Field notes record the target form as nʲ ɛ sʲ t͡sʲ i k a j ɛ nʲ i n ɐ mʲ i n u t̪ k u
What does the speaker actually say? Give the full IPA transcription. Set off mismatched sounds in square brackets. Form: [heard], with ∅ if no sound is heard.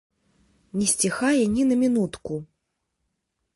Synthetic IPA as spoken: nʲ ɛ sʲ t͡sʲ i [x] a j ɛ nʲ i n ɐ mʲ i n u t̪ k u